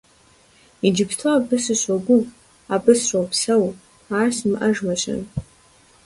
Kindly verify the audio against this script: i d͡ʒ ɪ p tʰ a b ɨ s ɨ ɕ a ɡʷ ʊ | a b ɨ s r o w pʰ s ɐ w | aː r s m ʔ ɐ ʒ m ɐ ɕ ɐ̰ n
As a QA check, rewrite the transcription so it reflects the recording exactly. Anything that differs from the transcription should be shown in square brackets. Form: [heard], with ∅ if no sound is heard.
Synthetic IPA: i d͡ʒ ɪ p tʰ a b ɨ s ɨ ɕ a ɡʷ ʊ | a b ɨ s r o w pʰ s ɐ w | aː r s m ʔ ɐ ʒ m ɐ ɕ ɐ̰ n